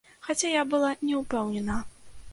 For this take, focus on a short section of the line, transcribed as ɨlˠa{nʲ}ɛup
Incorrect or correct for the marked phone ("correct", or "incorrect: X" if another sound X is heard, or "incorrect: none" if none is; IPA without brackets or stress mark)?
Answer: correct